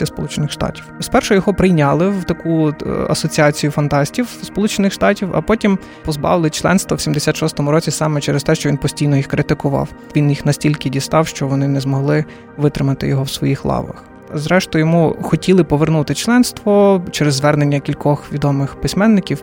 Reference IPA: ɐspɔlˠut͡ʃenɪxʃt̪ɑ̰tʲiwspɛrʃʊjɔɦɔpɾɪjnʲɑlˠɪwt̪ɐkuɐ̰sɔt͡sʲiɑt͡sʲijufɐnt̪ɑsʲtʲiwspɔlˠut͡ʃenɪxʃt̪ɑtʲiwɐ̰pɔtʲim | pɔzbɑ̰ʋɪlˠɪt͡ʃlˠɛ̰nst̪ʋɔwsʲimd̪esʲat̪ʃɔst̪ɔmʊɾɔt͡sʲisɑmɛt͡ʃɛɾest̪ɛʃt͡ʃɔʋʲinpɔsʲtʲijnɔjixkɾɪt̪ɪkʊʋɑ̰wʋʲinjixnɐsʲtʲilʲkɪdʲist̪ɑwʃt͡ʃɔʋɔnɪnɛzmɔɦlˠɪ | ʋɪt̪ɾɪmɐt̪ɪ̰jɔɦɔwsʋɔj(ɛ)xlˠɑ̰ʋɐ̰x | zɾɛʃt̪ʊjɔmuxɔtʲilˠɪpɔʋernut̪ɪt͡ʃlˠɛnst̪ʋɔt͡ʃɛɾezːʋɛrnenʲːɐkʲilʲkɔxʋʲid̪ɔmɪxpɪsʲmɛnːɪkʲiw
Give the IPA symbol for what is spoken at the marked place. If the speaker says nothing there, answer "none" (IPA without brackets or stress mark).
i